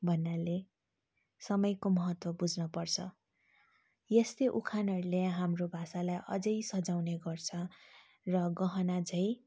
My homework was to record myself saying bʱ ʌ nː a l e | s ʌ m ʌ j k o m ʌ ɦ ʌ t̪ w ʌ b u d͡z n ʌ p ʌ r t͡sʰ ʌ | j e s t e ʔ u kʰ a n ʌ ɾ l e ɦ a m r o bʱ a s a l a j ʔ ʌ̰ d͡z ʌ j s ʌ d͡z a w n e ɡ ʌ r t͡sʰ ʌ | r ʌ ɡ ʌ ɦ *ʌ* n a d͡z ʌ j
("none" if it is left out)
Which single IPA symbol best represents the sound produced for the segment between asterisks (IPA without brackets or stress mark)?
ʌ